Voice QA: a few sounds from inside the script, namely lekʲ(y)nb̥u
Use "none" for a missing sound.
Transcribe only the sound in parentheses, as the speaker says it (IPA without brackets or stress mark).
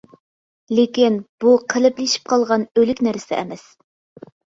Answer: i